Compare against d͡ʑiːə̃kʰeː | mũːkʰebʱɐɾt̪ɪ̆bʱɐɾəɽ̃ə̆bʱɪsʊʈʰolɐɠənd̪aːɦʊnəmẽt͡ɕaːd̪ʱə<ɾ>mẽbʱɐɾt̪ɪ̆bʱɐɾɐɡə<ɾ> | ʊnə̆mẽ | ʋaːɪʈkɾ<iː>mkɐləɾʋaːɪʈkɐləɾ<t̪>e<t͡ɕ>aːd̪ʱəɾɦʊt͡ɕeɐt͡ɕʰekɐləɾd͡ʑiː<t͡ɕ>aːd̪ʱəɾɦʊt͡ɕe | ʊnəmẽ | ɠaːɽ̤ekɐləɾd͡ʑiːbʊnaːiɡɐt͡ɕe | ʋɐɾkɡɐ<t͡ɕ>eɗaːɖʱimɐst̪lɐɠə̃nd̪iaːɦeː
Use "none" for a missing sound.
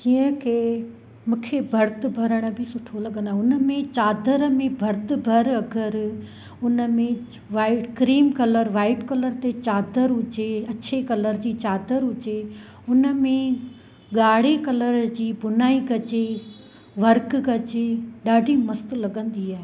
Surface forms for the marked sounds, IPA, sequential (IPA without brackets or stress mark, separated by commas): ɾ, ɾ, iː, t̪, t͡ɕ, t͡ɕ, t͡ɕ